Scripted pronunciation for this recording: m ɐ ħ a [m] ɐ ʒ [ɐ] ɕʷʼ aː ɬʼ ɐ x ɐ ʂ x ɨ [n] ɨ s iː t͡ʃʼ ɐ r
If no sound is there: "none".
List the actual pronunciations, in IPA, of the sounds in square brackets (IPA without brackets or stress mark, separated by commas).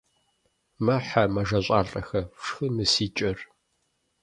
m, ɐ, m